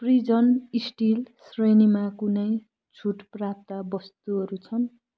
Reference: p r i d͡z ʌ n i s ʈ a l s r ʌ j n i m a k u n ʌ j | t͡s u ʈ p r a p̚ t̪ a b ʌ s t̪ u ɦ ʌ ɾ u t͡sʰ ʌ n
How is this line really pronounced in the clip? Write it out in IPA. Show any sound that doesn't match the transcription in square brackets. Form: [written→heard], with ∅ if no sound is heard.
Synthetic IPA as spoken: p r i d͡z ʌ n i s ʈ [a→i] l s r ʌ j n i m a k u n ʌ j | [t͡s→t͡sʰ] u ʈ p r a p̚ t̪ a b ʌ s t̪ u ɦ ʌ ɾ u t͡sʰ ʌ n